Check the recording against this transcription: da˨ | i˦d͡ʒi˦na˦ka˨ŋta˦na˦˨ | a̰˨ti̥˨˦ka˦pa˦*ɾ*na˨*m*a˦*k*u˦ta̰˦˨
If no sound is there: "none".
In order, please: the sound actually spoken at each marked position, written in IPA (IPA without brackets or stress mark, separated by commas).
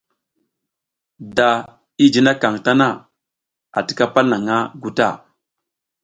l, ŋ, ɡ